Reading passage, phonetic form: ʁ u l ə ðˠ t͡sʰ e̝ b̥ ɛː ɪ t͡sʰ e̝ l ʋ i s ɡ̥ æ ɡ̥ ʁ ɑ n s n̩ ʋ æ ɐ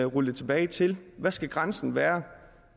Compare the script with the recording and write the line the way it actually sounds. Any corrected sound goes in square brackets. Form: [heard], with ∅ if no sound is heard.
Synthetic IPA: ʁ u l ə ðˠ t͡sʰ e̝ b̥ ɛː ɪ t͡sʰ e̝ l ʋ [æ] s ɡ̥ æ ɡ̥ ʁ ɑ n s n̩ ʋ [æː] ɐ